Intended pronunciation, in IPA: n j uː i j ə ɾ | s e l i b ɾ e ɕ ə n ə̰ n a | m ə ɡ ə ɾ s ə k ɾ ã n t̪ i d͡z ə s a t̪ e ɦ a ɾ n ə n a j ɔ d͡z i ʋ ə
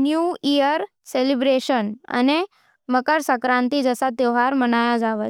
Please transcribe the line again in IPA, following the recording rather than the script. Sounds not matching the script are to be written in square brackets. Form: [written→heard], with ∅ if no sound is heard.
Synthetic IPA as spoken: n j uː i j ə ɾ | s e l i b ɾ e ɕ ə n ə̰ n [a→e] | m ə [ɡ→k] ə ɾ s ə k ɾ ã n t̪ i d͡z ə s a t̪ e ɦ a ɾ [n→m] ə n a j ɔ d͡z [i→a] ʋ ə